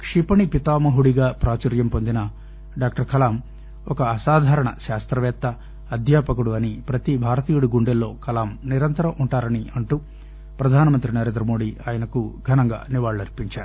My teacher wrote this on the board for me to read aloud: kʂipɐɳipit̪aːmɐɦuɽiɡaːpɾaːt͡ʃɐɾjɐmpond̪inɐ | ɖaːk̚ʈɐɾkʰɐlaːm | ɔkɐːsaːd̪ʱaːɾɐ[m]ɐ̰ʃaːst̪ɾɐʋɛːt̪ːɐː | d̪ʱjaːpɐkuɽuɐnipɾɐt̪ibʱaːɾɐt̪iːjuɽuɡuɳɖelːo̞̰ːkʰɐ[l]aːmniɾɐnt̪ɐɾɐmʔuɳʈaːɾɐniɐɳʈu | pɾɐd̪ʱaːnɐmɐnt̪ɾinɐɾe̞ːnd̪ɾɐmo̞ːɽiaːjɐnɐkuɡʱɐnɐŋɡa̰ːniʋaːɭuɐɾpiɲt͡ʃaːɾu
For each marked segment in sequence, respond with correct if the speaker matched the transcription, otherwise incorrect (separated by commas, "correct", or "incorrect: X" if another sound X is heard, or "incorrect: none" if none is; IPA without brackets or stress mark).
incorrect: ɳ, correct